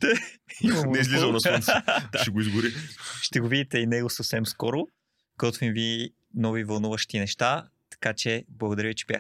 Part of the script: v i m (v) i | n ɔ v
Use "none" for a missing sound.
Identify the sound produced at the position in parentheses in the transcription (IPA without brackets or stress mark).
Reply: v